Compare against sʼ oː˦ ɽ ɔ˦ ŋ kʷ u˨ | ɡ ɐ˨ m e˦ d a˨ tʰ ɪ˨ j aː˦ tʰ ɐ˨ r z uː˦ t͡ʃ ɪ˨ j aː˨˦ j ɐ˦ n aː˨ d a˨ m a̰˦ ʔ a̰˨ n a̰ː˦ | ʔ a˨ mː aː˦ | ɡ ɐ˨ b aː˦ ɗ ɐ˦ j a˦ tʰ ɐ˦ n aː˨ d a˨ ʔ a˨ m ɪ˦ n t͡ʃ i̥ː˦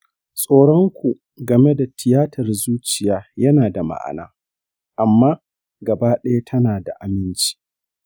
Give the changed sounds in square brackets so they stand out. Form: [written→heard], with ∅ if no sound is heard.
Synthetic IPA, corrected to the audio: sʼ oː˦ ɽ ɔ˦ ŋ kʷ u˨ | ɡ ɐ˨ m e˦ d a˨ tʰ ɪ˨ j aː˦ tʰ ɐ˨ r z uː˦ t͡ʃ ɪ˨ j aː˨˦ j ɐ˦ n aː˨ d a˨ m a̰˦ ʔ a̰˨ n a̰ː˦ | ʔ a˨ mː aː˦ | ɡ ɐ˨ b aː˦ ɗ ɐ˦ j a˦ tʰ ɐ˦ n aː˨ d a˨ ʔ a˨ m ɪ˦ n t͡ʃ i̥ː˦